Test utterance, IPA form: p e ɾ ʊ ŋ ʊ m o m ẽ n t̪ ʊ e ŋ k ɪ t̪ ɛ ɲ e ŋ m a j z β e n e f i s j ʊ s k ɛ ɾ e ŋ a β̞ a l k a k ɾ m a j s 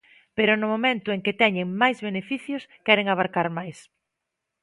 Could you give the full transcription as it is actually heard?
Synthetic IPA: p e ɾ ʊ n ʊ m o m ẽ n t̪ ʊ e ŋ k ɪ t̪ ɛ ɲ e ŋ m a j z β e n e f i θ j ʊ s k ɛ ɾ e ŋ a β̞ a ɾ k a ɾ m a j s